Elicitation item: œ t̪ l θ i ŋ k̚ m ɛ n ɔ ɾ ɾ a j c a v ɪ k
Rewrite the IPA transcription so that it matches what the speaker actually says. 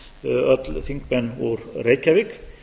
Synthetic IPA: œ t̪ l θ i ŋ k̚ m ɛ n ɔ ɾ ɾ e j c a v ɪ k